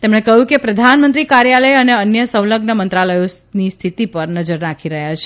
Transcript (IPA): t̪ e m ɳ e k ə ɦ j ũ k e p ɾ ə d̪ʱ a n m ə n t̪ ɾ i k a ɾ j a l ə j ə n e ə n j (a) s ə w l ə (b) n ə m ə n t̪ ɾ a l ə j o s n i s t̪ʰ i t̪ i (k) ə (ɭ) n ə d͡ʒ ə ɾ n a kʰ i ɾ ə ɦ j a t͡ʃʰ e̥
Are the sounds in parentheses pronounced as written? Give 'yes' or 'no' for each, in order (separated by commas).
no, no, no, no